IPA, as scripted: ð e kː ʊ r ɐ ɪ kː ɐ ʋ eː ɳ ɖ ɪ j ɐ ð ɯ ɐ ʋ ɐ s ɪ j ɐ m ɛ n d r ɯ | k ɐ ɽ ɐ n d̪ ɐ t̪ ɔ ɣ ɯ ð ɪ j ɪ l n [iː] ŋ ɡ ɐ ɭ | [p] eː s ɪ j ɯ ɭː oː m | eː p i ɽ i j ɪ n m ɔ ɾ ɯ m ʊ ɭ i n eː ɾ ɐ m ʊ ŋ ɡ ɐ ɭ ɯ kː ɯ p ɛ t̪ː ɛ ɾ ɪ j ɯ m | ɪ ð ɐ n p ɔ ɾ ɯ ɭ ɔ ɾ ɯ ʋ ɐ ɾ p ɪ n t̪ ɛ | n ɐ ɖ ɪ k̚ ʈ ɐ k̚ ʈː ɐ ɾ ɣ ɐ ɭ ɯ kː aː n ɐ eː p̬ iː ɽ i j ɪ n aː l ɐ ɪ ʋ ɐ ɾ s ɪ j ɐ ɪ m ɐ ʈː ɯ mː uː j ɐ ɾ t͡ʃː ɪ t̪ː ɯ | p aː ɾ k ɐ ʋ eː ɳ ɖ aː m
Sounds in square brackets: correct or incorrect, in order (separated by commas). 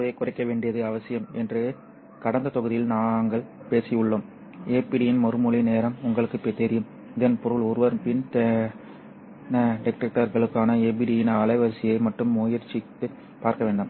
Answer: incorrect, correct